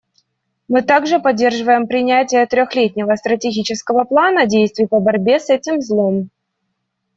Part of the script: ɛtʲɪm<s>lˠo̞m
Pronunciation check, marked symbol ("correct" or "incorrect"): incorrect